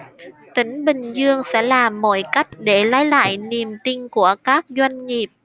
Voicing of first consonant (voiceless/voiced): voiceless